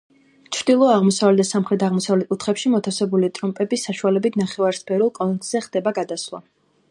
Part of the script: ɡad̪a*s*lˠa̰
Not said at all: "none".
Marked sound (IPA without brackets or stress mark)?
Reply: s